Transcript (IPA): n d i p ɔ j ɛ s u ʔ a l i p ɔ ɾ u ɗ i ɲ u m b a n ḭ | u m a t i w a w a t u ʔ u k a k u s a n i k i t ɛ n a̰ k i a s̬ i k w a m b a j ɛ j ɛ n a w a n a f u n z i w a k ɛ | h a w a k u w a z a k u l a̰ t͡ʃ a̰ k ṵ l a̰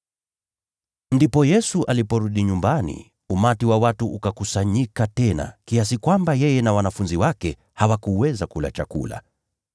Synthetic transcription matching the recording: n d i p ɔ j ɛ s u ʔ a l i p ɔ ɾ u ɗ i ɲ u m b a n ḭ | u m a t i w a w a t u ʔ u k a k u s a ɲ i k a t ɛ n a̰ k i a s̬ i k w a m b a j ɛ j ɛ n a w a n a f u n z i w a k ɛ | h a w a k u w ɛ z a k u l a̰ t͡ʃ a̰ k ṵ l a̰

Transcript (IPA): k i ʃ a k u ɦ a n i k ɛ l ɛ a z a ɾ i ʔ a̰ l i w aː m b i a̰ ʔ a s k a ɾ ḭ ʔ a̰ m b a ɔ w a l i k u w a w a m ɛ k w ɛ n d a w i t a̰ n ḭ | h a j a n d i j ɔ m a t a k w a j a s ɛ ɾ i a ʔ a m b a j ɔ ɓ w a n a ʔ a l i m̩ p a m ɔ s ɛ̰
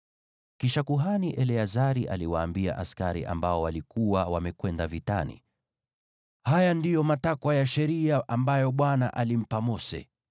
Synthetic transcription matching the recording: k i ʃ a k u ɦ a n i ʔ ɛ l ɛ a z a ɾ i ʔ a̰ l i w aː m b i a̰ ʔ a s k a ɾ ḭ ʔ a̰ m b a ɔ w a l i k u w a w a m ɛ k w ɛ n d a v i t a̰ n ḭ | h a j a n d i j ɔ m a t a k w a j a ʃ ɛ ɾ i a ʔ a m b a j ɔ ɓ w a n a ʔ a l i m̩ p a m ɔ s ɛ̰

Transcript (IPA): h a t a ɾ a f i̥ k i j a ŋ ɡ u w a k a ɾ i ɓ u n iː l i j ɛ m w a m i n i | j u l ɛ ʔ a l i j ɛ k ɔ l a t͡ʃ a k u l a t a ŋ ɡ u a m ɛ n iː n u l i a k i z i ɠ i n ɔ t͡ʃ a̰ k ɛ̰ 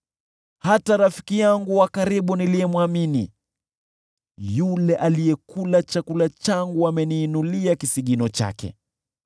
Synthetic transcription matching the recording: h a t a ɾ a f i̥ k i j a ŋ ɡ u w a k a ɾ i ɓ u n i l i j ɛ m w a m i n i | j u l ɛ ʔ a l i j ɛ k u l a t͡ʃ a k u l a t͡ʃ a ŋ ɡ u a m ɛ n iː n u l i a k i s i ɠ i n ɔ t͡ʃ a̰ k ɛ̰

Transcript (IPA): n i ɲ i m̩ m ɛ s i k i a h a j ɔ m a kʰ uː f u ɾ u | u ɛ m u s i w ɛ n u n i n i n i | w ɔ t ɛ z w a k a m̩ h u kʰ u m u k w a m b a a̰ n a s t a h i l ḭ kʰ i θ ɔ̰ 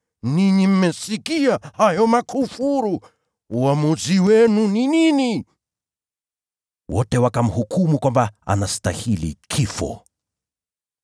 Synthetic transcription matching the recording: n i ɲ i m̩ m ɛ s i k i a h a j ɔ m a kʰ u f u ɾ u | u a m u z i w ɛ n u n i n i n i | w ɔ t ɛ w a k a m̩ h u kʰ u m u k w a m b a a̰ n a s t a h i l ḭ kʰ i f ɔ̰

